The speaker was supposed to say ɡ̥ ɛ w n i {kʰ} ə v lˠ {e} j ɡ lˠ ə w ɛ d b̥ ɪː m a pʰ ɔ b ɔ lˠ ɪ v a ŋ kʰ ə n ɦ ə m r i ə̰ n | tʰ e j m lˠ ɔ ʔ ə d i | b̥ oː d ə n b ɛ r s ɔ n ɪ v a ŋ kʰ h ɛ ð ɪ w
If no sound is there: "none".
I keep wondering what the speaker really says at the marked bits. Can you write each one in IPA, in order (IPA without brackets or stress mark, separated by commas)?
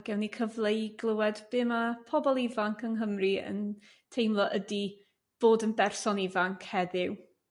kʰ, e